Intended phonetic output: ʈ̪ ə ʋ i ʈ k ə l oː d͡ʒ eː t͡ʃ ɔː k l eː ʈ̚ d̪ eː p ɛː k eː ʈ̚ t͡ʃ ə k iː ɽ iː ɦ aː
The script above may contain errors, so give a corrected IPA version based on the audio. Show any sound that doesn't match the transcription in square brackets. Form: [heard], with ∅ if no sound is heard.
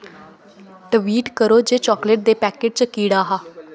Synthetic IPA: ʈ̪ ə ʋ [iː] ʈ k ə [ɾ] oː d͡ʒ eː t͡ʃ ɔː k l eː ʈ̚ d̪ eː p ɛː k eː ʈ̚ t͡ʃ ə k iː ɽ [aː] ɦ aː